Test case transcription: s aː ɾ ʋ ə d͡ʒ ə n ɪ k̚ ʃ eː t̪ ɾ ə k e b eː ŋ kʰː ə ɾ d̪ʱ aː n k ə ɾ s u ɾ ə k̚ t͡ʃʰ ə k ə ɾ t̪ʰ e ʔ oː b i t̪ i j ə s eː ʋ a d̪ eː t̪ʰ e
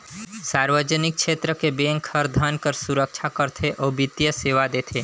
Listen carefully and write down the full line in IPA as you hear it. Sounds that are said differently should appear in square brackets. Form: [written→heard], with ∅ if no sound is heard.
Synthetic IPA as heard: s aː ɾ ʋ ə d͡ʒ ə n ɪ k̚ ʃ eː t̪ ɾ ə k e b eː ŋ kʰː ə ɾ d̪ʱ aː n k ə ɾ s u ɾ ə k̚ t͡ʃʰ [ə→a] k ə ɾ t̪ʰ e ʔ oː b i t̪ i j ə s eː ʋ a d̪ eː t̪ʰ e